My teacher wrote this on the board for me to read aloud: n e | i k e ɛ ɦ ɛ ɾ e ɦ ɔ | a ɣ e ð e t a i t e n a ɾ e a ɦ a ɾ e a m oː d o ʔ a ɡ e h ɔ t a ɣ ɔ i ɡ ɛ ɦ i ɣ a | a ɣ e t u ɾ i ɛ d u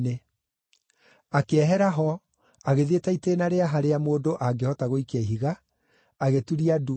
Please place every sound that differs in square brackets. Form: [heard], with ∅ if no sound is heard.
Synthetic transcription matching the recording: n e | [a] k e ɛ ɦ ɛ ɾ [a] ɦ ɔ | a ɣ e ð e t a i t e n a ɾ e a ɦ a ɾ e a m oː d o ʔ a ɡ e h ɔ t a ɣ [o] i [k] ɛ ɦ i ɣ a | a ɣ e t u ɾ i [a] d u